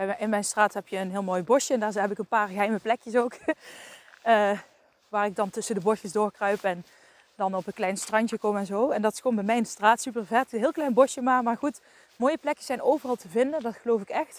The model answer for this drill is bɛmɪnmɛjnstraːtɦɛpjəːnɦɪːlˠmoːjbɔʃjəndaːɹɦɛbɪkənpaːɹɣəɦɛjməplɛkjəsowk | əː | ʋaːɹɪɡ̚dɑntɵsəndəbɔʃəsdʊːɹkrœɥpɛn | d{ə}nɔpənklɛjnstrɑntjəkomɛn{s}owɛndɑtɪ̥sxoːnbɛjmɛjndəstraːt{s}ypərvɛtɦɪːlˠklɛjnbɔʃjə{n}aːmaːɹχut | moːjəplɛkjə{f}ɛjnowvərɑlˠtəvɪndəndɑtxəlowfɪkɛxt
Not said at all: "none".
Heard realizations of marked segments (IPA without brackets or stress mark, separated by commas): ɑ, z, s, m, s